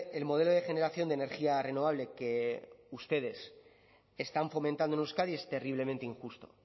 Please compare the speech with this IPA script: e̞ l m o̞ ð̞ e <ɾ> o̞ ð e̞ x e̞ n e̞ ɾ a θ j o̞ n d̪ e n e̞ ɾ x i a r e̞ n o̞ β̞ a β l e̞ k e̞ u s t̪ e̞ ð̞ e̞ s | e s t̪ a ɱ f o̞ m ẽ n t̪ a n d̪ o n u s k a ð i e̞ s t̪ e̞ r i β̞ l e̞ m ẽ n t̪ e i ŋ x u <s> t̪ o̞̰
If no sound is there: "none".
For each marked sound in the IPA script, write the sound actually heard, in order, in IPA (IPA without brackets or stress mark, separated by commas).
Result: l, s